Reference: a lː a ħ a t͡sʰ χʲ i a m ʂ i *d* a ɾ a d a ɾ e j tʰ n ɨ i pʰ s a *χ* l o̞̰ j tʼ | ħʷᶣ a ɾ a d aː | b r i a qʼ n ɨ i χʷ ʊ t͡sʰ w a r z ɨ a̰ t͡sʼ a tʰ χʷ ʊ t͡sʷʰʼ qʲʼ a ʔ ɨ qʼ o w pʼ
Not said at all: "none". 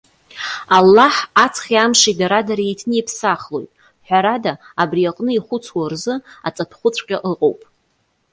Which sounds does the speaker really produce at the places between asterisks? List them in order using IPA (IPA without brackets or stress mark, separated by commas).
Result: d, χ